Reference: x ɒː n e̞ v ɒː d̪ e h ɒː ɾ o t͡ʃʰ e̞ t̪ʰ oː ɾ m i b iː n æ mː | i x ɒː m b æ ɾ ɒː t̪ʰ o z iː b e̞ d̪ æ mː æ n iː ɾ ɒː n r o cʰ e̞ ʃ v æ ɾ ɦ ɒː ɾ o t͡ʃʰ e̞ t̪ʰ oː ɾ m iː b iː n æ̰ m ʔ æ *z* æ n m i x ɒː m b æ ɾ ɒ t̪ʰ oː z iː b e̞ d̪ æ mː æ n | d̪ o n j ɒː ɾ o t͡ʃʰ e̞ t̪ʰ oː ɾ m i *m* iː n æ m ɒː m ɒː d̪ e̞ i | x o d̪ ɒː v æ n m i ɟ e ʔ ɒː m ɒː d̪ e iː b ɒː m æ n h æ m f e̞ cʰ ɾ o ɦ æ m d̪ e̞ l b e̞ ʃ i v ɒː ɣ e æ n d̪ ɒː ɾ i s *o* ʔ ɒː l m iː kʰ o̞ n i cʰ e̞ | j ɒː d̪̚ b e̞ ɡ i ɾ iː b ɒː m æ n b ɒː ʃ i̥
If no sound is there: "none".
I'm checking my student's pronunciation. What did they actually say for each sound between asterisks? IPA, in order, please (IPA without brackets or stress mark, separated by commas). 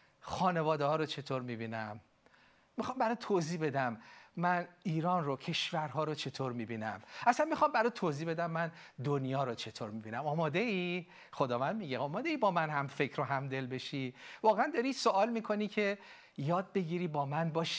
s, b, o